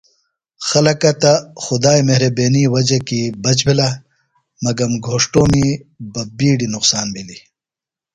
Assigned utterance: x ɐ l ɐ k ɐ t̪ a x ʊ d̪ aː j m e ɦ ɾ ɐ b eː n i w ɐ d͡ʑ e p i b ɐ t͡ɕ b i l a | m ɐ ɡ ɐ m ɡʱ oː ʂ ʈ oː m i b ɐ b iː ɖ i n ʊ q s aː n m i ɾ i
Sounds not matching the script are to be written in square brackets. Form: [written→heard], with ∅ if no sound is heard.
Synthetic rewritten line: x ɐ l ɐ k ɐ t̪ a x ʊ d̪ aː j m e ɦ ɾ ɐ b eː n i w ɐ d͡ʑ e [p→k] i b ɐ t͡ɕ b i l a | m ɐ ɡ ɐ m ɡʱ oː ʂ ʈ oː m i b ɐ b iː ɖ i n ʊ q s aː n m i [ɾ→l] i